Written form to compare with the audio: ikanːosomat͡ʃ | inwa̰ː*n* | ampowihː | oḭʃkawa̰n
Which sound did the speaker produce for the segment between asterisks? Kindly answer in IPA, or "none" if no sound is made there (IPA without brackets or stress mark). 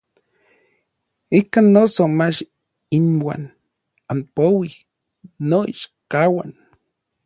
n